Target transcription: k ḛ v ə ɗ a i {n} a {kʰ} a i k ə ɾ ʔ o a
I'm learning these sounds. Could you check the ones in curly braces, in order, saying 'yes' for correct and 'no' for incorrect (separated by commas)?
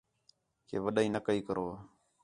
yes, no